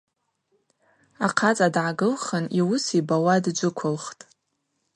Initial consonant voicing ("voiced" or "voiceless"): voiceless